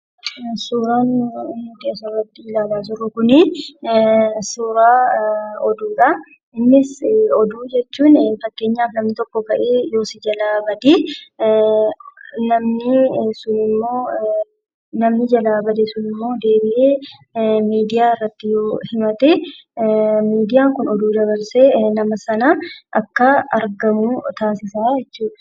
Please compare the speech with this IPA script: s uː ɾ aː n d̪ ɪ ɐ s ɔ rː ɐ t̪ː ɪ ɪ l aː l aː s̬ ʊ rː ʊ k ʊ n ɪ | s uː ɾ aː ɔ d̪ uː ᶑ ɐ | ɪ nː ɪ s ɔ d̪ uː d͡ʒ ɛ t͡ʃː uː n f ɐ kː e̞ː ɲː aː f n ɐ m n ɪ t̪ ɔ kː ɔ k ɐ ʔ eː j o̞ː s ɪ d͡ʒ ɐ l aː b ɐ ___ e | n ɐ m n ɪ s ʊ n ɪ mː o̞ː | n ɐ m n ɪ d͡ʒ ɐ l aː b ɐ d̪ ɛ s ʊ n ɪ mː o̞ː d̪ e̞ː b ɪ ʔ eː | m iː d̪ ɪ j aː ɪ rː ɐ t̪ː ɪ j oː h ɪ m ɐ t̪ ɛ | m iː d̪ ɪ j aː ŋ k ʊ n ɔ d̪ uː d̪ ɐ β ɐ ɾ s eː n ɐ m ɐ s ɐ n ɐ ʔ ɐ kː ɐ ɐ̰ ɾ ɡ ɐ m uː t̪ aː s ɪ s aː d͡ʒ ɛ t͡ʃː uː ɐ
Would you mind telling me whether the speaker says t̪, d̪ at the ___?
d̪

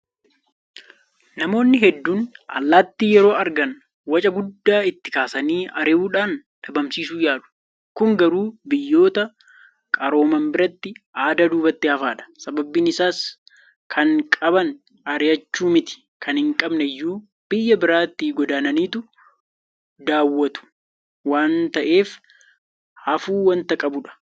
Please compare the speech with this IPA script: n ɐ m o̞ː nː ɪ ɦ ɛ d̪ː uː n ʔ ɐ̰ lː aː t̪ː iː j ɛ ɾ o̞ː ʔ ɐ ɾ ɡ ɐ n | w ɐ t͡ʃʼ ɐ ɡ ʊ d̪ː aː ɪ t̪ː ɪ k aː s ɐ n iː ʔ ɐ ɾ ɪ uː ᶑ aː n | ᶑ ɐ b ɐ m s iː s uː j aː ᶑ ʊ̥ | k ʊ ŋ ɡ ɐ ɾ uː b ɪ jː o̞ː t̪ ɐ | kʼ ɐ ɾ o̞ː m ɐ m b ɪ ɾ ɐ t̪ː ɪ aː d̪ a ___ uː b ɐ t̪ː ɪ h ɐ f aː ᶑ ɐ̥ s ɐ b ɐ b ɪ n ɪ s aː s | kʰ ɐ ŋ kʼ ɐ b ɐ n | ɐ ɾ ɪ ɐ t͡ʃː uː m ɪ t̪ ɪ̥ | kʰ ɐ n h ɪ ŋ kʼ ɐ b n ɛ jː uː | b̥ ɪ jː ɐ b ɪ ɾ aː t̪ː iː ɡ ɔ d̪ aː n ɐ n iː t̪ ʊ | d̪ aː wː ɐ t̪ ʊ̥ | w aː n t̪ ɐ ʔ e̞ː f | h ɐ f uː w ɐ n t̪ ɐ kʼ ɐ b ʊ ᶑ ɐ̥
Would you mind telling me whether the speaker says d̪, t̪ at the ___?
d̪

